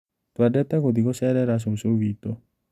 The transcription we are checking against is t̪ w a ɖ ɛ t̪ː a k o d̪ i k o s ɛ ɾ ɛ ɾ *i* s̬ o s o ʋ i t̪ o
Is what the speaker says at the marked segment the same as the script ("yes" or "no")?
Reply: no